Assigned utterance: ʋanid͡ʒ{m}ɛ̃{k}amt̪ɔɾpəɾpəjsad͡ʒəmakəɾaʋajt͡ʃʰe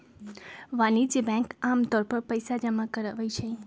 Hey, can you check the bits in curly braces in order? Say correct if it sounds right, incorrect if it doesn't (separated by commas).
incorrect, correct